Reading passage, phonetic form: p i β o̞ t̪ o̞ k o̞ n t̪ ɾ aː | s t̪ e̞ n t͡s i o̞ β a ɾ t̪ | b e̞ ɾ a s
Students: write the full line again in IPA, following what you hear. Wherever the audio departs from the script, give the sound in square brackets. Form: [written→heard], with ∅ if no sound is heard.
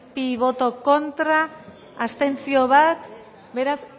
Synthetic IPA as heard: p i β o̞ t̪ o̞ k o̞ n t̪ ɾ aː | s t̪ e̞ n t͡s i o̞ β a [ɾ→∅] t̪ | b e̞ ɾ a s